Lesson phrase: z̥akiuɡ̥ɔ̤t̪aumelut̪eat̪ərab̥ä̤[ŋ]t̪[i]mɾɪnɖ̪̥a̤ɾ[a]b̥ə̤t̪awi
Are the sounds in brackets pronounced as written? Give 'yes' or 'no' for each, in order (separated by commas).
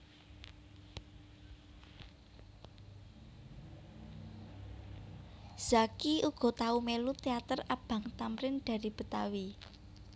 yes, no, no